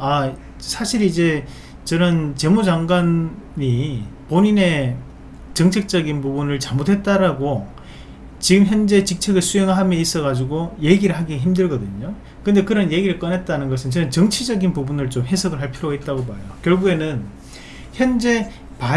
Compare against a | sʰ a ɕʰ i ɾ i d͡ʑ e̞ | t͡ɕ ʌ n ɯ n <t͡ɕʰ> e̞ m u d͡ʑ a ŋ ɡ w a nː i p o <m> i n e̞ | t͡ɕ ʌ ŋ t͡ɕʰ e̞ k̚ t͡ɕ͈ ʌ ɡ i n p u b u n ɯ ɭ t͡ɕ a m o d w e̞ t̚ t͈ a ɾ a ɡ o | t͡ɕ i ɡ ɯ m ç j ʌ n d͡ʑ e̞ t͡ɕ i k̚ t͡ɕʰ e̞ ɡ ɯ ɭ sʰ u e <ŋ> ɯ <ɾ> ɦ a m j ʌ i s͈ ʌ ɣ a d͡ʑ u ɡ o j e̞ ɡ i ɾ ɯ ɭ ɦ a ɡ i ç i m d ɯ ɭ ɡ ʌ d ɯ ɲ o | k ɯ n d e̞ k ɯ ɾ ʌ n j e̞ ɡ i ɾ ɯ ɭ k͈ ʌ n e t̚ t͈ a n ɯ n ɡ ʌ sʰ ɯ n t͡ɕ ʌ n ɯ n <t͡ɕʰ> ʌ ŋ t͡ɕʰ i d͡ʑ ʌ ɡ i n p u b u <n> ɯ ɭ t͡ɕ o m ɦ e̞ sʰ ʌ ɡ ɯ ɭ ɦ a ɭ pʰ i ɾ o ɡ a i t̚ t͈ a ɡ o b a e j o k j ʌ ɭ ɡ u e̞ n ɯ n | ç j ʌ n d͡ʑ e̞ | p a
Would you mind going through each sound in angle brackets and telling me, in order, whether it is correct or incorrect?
incorrect: t͡ɕ, incorrect: ɲ, correct, incorrect: ɭ, incorrect: t͡ɕ, correct

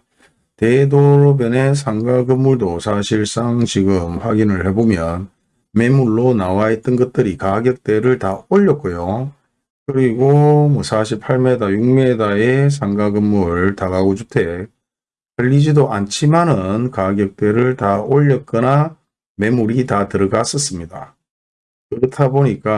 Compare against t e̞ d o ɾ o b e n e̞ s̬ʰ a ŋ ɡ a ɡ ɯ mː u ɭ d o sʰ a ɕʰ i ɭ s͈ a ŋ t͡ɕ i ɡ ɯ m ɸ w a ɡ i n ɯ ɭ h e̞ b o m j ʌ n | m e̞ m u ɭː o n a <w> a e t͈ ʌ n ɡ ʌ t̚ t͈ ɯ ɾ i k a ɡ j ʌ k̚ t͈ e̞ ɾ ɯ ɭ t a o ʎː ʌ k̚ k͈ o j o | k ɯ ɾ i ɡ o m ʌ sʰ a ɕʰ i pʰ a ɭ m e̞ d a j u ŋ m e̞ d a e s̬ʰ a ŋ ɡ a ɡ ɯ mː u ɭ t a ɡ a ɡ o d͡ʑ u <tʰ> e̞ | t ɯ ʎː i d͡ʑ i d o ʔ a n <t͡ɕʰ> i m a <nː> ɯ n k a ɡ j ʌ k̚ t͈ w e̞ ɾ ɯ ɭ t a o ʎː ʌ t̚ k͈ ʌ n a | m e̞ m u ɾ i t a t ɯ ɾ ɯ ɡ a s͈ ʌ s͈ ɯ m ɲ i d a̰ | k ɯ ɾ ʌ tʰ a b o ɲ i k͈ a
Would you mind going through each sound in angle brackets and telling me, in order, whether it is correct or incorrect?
correct, correct, correct, incorrect: n

